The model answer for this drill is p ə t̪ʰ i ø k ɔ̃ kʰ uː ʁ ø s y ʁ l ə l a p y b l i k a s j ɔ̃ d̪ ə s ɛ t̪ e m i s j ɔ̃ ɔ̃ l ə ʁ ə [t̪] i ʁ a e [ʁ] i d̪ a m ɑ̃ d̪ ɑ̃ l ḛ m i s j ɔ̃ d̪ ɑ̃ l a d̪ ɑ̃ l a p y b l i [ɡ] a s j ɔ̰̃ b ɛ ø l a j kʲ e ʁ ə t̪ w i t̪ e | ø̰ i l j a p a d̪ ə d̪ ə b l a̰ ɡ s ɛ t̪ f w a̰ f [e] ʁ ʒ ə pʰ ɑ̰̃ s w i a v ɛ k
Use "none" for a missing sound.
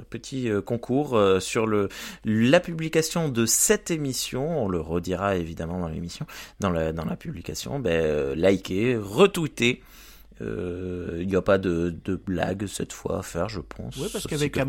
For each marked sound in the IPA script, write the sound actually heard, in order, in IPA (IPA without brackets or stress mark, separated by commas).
d̪, v, k, ɛ